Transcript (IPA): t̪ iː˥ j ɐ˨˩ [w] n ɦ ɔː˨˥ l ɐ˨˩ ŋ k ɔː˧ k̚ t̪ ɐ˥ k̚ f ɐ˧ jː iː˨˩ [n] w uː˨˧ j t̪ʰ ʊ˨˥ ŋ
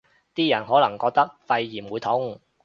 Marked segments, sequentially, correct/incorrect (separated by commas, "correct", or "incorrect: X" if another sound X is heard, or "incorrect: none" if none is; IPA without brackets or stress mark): incorrect: none, incorrect: m